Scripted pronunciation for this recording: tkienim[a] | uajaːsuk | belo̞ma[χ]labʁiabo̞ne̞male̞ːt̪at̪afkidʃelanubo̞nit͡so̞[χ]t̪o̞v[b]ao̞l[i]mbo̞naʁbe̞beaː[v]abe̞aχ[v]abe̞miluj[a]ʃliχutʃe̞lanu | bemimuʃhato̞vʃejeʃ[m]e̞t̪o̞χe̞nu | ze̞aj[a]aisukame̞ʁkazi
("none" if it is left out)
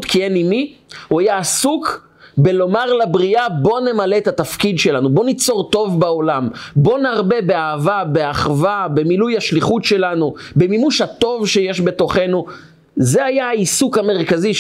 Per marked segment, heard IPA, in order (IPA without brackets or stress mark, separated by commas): i, ʁ, ʁ, b, a, v, v, a, b, a